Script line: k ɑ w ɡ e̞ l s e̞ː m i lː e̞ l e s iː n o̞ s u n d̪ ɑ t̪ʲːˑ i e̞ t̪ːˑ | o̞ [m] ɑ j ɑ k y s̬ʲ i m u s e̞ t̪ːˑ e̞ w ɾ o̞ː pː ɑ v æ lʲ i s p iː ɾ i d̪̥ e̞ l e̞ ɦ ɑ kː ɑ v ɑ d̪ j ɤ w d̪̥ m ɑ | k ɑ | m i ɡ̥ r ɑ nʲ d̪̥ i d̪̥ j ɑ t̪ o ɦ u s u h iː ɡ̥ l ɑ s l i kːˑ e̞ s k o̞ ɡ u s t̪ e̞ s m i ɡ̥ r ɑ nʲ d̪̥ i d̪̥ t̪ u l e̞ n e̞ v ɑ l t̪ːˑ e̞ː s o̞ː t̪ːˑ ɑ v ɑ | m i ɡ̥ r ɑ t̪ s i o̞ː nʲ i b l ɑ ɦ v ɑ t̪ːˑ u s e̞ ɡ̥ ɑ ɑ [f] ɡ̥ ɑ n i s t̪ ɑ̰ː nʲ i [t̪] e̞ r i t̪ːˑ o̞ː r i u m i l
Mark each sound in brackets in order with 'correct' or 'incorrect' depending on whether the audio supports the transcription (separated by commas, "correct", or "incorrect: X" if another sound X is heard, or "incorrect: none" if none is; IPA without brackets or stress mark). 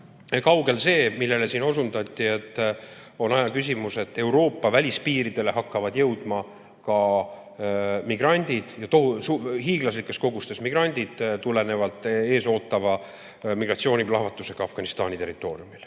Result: incorrect: n, correct, correct